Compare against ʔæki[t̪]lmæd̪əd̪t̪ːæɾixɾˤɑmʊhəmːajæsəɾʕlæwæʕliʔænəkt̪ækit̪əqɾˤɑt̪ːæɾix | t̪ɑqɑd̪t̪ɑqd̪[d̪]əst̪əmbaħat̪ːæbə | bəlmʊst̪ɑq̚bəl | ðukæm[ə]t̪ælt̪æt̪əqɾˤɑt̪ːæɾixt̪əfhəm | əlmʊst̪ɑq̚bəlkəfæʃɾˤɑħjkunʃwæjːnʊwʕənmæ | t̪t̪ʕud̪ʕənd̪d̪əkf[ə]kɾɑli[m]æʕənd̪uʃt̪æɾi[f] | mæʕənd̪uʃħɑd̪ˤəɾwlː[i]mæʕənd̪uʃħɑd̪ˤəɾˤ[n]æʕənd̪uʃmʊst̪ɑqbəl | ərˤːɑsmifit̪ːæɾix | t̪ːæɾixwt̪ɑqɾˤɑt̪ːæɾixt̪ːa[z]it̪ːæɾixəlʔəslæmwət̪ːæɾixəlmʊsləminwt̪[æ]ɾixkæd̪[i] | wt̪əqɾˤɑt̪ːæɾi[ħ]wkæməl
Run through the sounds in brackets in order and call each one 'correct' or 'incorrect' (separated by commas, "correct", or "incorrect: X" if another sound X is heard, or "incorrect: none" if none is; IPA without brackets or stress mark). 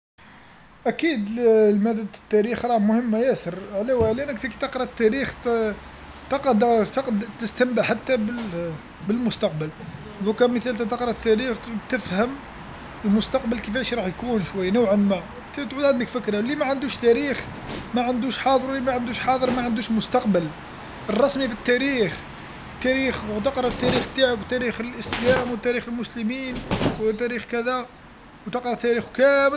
incorrect: d̪, incorrect: t̪, correct, correct, correct, incorrect: x, correct, incorrect: m, incorrect: ʕ, correct, incorrect: æ, incorrect: x